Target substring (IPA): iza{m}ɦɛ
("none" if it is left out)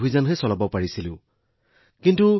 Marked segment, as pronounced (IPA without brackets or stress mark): n